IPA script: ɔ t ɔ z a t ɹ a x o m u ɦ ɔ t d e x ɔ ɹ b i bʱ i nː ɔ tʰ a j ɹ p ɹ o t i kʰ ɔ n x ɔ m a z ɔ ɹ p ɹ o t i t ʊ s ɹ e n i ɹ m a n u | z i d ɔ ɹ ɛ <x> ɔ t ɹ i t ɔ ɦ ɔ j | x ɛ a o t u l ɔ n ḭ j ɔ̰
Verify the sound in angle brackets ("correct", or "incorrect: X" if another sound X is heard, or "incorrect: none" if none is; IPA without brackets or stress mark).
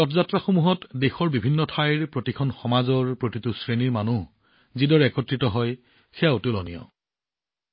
incorrect: k